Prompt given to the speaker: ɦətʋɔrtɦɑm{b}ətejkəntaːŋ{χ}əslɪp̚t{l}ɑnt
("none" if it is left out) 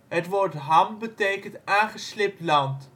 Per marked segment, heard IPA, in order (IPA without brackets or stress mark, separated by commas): b, χ, l